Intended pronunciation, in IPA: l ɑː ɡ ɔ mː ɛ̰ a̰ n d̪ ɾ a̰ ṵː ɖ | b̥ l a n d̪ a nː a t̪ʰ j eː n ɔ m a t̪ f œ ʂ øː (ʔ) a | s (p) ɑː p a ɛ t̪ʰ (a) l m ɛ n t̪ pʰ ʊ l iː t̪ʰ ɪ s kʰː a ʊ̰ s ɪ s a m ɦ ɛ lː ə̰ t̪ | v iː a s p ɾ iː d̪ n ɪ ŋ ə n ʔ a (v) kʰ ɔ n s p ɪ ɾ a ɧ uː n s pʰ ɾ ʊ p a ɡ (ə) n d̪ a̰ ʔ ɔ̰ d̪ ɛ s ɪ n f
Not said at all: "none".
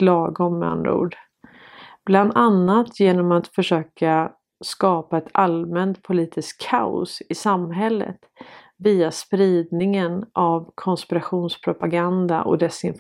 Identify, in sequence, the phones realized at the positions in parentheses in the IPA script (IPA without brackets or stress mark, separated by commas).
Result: k, k, a, v, a